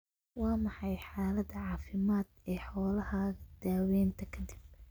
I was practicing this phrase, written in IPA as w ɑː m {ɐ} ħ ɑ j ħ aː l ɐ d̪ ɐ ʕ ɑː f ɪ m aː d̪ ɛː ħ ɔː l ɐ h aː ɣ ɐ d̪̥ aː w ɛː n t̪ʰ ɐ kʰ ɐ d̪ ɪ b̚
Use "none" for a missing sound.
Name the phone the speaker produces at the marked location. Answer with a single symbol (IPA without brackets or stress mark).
ɑ